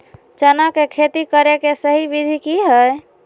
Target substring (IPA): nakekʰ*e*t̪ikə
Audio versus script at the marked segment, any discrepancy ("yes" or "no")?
no